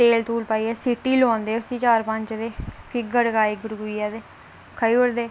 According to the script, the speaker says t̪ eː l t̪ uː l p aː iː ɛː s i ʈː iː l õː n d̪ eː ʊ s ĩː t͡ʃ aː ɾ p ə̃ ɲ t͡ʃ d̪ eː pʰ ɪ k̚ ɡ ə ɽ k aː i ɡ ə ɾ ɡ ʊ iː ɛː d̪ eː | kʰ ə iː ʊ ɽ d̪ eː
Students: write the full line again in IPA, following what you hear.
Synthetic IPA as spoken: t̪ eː l t̪ uː l p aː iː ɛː s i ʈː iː l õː n d̪ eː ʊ s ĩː t͡ʃ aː ɾ p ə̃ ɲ t͡ʃ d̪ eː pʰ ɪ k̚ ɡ ə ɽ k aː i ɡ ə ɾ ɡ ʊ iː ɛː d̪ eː | kʰ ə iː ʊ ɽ d̪ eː